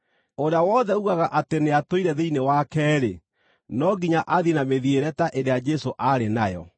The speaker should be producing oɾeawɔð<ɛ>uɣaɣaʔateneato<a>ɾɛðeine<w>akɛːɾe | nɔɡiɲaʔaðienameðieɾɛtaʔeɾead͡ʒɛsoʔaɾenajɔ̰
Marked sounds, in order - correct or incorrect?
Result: correct, incorrect: i, correct

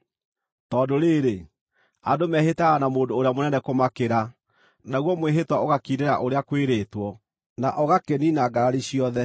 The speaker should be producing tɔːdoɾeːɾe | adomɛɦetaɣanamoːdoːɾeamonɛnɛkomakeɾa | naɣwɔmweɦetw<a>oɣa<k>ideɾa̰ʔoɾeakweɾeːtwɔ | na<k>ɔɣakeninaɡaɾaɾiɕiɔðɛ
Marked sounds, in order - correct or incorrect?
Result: correct, correct, incorrect: ʔ

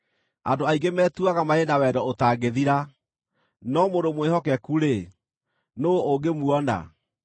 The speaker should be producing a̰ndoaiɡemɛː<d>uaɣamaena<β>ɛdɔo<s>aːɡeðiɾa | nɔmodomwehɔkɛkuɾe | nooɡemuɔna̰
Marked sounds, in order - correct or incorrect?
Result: incorrect: t, incorrect: w, incorrect: t

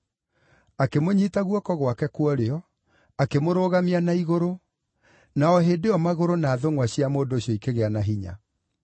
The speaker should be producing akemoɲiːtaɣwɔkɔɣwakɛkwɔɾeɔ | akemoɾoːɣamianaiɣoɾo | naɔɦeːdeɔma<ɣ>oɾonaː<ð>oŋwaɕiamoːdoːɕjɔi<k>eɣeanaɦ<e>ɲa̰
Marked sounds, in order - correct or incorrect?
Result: correct, correct, correct, incorrect: i

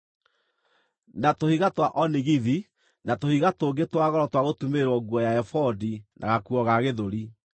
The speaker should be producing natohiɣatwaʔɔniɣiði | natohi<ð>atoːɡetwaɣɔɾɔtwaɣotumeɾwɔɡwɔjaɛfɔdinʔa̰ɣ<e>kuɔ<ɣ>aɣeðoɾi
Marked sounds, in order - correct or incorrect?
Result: incorrect: ɣ, incorrect: a, correct

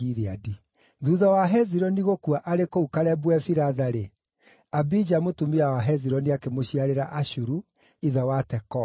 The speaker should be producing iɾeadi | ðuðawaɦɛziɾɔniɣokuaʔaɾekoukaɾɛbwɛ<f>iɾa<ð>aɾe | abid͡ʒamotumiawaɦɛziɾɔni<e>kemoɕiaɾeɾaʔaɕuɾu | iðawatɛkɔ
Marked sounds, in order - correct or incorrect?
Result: correct, correct, incorrect: a

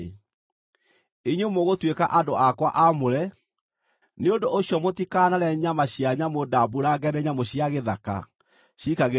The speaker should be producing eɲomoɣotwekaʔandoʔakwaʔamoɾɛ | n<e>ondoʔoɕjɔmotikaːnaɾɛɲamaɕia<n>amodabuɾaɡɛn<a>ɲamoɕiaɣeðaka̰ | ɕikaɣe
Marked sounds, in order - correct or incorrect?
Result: correct, incorrect: ɲ, incorrect: ɛ

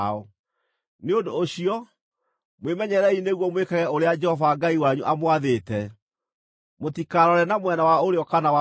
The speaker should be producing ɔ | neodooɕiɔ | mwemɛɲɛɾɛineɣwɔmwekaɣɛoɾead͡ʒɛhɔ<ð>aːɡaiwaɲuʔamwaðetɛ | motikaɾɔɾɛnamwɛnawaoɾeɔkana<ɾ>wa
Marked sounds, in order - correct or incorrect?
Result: incorrect: v, incorrect: none

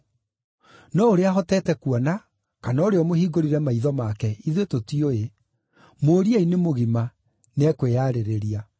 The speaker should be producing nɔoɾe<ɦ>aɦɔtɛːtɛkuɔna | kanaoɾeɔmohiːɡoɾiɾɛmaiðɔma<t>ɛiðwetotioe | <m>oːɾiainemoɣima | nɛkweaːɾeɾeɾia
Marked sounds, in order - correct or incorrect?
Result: incorrect: none, incorrect: k, correct

